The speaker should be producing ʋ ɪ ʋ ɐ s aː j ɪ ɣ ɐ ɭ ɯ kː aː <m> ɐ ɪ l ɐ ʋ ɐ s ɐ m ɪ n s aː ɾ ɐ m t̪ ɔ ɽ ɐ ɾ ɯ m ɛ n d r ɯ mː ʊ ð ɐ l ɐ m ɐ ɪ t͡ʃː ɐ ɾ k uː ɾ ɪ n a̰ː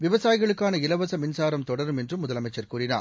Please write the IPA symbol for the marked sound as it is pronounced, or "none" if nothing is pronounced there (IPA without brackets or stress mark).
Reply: n